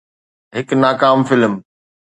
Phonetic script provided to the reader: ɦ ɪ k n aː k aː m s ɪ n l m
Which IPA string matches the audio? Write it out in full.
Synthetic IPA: ɦ ɪ k n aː k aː m f ɪ l m